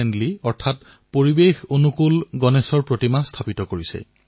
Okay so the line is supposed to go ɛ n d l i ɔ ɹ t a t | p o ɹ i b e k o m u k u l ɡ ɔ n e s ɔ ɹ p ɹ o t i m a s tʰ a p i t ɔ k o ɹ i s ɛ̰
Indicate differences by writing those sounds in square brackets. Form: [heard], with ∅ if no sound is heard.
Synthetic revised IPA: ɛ n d l i ɔ ɹ [tʰ] a t | p o ɹ i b e [x] o [n] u k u l ɡ ɔ n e s ɔ ɹ p ɹ o t i m a s tʰ a p i t ɔ k o ɹ i s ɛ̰